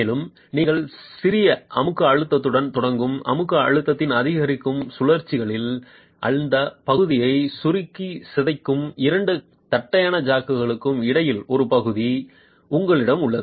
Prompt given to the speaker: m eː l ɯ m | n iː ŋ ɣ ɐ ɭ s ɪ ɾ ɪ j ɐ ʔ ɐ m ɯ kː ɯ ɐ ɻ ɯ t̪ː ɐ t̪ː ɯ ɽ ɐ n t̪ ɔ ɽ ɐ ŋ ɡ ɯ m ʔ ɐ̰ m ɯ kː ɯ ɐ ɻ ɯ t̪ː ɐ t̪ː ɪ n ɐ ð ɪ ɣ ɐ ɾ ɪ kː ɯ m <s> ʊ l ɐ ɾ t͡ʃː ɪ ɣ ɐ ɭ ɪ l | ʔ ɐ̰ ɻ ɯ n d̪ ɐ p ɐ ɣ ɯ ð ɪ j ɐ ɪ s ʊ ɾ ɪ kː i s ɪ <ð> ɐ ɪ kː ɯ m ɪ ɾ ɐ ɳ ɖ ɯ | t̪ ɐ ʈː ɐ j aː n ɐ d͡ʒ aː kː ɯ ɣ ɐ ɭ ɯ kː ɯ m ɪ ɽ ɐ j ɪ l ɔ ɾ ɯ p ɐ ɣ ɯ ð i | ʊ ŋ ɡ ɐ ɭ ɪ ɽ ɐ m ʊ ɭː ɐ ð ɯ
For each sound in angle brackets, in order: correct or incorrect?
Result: correct, correct

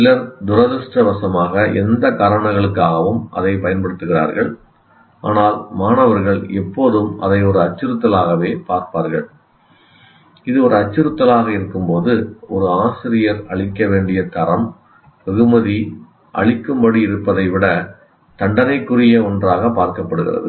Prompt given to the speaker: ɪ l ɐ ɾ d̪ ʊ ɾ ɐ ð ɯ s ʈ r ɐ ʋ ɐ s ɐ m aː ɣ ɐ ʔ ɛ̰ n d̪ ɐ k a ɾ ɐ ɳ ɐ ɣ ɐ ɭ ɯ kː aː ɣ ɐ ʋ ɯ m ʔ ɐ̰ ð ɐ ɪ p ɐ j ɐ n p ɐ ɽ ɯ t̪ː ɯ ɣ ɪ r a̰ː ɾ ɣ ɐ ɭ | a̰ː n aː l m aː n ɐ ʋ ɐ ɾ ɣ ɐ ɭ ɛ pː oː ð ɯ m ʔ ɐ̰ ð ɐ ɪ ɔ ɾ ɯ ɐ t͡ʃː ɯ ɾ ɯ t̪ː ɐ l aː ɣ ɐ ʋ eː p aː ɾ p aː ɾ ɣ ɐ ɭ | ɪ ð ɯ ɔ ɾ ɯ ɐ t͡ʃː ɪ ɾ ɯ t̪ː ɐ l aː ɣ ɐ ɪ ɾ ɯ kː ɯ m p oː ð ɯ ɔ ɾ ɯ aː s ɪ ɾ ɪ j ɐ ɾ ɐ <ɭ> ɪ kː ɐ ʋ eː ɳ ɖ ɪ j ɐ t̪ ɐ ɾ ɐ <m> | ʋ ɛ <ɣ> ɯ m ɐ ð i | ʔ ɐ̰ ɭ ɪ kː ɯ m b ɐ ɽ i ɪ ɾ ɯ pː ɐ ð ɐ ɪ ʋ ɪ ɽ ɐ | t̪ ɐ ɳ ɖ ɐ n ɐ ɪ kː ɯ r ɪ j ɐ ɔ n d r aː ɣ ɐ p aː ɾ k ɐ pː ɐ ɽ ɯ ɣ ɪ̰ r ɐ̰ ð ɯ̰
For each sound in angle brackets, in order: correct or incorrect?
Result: correct, correct, correct

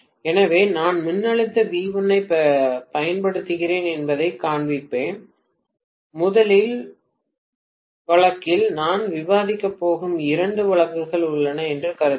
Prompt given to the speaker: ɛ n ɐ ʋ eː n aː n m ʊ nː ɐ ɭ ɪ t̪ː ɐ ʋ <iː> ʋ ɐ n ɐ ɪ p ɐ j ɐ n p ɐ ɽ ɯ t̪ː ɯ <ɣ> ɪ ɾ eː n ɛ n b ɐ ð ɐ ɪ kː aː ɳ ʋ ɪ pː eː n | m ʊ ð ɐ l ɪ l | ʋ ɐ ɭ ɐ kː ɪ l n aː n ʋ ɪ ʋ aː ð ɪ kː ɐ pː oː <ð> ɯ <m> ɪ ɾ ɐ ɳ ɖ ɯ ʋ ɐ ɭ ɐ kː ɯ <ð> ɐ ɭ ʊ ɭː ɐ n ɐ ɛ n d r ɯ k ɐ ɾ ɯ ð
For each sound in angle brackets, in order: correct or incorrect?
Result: correct, correct, incorrect, correct, incorrect

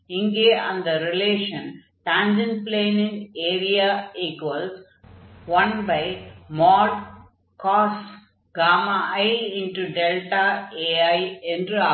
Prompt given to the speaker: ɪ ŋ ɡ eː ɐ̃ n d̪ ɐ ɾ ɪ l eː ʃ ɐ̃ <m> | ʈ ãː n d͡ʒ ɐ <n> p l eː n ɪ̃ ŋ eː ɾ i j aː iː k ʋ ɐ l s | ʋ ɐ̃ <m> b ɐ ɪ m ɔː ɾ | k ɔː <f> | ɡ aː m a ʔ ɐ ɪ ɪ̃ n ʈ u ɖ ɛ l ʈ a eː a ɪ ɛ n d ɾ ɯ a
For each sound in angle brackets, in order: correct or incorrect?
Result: incorrect, correct, incorrect, incorrect

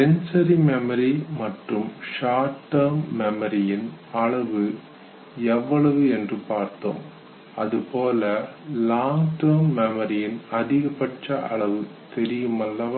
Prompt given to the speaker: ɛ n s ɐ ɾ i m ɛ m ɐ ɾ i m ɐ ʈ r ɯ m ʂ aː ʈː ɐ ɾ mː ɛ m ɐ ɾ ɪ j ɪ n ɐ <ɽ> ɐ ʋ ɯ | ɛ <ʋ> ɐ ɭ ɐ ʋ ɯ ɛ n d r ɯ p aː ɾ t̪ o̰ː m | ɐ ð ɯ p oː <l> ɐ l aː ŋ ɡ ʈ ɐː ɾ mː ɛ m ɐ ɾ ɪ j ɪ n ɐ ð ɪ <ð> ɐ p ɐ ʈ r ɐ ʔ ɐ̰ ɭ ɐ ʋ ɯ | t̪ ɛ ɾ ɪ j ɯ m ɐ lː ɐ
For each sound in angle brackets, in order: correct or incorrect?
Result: incorrect, incorrect, correct, incorrect

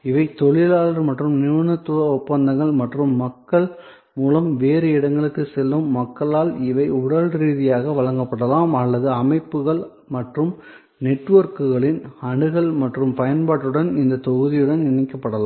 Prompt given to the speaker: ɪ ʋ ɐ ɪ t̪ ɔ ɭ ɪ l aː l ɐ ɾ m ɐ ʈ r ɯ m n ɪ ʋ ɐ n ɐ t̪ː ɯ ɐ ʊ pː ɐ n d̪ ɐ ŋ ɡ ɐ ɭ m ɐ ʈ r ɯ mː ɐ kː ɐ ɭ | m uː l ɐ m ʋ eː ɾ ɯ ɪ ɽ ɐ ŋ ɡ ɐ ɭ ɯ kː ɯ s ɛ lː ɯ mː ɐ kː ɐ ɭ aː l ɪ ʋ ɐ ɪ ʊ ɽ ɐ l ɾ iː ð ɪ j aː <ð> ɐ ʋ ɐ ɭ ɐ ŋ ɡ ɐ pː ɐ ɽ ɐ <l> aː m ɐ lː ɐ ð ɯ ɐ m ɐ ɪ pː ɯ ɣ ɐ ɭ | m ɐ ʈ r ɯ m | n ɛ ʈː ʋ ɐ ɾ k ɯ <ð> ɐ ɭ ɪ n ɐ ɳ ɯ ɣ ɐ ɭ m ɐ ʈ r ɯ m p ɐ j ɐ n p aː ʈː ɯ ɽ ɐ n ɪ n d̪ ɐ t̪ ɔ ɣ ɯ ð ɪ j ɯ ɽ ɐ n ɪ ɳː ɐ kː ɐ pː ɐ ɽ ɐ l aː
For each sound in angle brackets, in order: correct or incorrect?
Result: incorrect, correct, incorrect

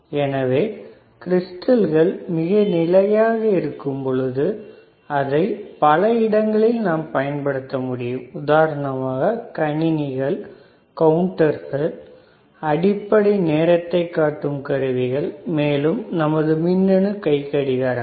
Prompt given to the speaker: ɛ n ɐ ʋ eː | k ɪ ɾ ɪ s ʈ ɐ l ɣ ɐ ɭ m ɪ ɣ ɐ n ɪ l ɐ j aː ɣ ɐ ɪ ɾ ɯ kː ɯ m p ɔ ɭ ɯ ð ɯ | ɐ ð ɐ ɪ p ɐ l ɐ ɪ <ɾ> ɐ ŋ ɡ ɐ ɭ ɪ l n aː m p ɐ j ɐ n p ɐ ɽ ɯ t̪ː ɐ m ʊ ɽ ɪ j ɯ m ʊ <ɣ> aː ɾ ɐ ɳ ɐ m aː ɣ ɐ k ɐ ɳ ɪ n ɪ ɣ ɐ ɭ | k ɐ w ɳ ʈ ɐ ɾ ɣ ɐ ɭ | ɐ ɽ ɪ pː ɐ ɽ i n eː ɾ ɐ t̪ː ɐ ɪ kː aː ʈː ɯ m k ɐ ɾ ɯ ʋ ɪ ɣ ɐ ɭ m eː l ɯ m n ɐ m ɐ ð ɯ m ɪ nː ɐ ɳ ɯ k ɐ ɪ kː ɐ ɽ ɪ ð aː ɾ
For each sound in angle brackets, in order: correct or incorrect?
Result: incorrect, incorrect

